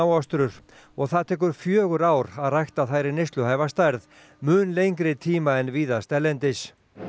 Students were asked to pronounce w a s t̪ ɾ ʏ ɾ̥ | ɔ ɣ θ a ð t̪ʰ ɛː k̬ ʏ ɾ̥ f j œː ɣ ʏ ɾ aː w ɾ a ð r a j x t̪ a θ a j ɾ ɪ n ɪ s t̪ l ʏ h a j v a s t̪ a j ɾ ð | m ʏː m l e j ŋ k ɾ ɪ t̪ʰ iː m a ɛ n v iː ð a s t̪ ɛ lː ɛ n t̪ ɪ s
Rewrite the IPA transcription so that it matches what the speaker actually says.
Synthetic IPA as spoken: w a s t̪ ɾ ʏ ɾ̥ | ɔ ɣ θ a ð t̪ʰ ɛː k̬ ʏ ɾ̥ f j œː ɣ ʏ ɾ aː w ɾ a ð r a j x t̪ a θ a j ɾ ɪ n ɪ s t̪ l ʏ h a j v a s t̪ a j ɾ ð | m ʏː n l e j ŋ k ɾ ɪ t̪ʰ iː m a ɛ n v iː ð a s t̪ ɛ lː ɛ n t̪ ɪ s